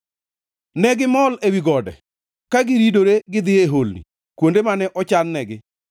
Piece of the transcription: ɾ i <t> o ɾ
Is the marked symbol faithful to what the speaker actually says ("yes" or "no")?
no